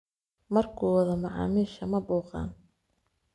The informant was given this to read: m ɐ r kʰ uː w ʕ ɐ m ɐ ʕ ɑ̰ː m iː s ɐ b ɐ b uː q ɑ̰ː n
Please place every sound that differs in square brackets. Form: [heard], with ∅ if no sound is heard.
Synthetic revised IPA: m ɐ r kʰ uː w [ð] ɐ m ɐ ʕ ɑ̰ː m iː [ʃ] ɐ [m] ɐ b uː q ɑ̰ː n